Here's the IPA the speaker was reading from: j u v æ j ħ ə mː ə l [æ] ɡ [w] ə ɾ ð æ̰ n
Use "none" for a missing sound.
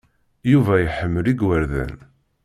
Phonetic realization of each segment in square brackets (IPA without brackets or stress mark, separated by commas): i, w